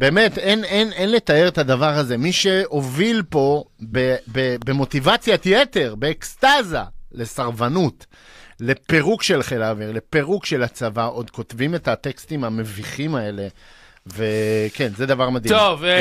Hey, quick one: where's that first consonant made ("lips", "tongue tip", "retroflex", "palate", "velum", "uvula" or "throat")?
lips